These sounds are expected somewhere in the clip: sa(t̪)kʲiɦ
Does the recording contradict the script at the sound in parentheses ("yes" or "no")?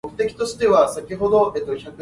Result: yes